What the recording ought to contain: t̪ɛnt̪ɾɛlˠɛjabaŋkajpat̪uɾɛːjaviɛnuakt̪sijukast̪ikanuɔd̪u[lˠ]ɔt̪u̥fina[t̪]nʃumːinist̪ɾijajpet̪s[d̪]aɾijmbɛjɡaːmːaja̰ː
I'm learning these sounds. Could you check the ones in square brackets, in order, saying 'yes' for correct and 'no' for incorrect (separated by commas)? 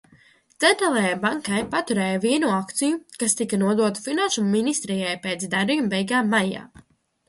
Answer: no, no, yes